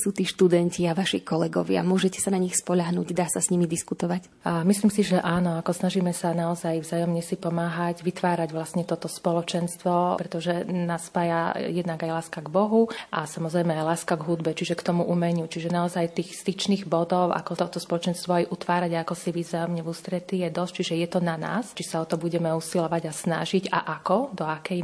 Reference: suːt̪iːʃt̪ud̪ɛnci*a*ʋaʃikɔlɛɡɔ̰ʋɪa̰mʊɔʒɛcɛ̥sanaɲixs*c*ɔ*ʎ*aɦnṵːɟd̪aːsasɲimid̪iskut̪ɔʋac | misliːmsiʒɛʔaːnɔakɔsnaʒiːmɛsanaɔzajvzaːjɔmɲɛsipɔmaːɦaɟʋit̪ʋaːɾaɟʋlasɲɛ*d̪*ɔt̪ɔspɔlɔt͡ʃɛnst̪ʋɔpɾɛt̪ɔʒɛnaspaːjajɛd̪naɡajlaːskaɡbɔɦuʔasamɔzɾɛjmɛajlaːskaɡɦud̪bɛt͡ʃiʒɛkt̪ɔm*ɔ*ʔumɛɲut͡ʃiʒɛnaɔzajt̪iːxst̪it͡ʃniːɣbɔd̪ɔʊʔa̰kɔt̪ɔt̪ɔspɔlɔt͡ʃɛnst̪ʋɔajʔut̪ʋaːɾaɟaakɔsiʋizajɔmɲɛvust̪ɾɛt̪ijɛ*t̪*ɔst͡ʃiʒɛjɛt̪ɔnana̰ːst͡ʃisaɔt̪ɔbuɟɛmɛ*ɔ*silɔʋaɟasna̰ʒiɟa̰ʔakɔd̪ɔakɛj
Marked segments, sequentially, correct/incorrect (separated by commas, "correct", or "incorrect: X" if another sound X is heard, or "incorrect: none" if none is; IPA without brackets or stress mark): correct, incorrect: p, correct, incorrect: t̪, incorrect: u, incorrect: d̪, incorrect: u